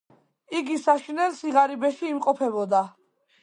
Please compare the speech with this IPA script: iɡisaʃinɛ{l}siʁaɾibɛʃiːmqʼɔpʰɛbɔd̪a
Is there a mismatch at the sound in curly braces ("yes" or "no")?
no